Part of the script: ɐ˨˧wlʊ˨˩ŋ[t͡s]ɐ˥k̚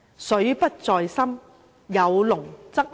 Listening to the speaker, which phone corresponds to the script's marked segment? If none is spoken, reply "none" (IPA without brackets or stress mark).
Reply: t͡s